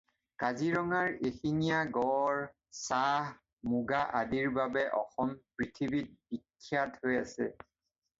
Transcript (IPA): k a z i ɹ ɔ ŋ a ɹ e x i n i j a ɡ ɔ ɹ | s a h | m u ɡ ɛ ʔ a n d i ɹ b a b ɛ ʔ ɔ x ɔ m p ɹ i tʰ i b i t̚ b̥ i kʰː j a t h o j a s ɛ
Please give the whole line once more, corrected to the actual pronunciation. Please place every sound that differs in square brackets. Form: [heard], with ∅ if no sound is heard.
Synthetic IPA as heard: k a z i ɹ ɔ ŋ a ɹ e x i n i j a ɡ ɔ ɹ | s a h | m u ɡ [a] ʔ a [∅] d i ɹ b a b ɛ ʔ ɔ x ɔ m p ɹ i tʰ i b i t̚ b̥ i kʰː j a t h o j a s ɛ

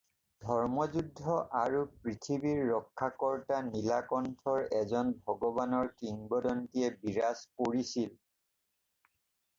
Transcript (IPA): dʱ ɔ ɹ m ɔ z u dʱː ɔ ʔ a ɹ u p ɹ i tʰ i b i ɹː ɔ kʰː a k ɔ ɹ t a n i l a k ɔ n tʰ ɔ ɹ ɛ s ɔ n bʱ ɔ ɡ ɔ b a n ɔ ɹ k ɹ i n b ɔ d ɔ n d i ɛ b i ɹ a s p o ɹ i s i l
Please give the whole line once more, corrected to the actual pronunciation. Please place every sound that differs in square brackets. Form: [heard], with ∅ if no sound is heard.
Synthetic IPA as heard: dʱ ɔ ɹ m ɔ z u dʱː ɔ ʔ a ɹ u p ɹ i tʰ i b i ɹː ɔ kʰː a k ɔ ɹ t a n i l a k ɔ n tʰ ɔ ɹ ɛ [z] ɔ n bʱ ɔ ɡ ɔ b a n ɔ ɹ k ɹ i [ŋ] b ɔ d ɔ n [t] i ɛ b i ɹ a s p o ɹ i s i l

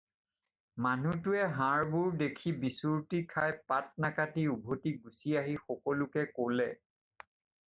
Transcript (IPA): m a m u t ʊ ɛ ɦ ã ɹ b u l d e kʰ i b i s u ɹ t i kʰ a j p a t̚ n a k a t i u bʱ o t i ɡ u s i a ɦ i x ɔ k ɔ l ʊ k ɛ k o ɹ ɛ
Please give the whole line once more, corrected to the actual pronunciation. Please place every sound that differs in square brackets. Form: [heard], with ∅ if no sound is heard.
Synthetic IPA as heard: m a [n] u t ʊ ɛ ɦ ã ɹ b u [ɹ] d e kʰ i b i s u ɹ t i kʰ a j p a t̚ n a k a t i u bʱ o t i ɡ u s i a ɦ i x ɔ k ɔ l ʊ k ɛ k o [l] ɛ

